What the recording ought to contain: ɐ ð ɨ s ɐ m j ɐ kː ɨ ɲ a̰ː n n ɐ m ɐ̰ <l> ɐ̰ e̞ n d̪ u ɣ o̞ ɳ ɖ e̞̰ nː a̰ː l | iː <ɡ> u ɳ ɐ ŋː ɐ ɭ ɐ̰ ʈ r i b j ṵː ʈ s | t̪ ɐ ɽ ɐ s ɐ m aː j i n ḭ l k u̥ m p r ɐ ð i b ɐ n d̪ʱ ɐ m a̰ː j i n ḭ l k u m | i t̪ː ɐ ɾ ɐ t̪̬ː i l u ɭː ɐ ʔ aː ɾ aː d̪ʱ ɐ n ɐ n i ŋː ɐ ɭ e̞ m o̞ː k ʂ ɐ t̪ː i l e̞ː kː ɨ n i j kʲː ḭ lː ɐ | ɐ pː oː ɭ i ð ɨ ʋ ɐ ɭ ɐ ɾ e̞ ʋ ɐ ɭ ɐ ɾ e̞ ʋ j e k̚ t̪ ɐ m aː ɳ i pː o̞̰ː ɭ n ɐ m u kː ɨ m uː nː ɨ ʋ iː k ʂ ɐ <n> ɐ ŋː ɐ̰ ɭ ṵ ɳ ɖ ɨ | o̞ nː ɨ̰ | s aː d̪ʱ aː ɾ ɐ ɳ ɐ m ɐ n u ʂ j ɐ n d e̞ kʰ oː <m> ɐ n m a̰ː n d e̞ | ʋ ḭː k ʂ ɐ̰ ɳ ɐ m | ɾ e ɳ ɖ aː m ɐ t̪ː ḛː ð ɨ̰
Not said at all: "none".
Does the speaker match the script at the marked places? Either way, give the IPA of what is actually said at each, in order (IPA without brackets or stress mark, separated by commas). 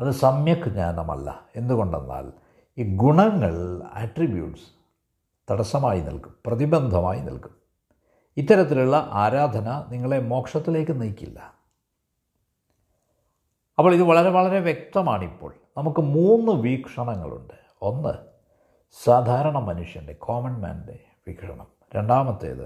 lː, ɡ, ɳ, m